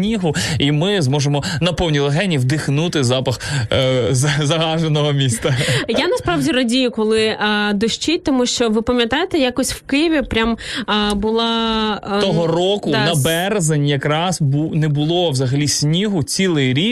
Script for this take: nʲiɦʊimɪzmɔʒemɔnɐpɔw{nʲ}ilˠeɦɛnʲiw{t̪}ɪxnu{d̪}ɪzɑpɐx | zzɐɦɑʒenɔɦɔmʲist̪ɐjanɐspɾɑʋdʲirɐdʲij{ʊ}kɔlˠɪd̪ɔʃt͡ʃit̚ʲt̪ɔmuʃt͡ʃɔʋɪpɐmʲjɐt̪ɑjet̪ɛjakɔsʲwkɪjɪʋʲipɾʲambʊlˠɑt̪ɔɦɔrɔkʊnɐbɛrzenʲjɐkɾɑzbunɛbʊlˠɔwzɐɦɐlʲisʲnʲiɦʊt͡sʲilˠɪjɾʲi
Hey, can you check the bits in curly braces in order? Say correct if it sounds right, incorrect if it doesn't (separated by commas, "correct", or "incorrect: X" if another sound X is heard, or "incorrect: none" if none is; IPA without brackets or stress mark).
correct, incorrect: d̪, incorrect: t̪, correct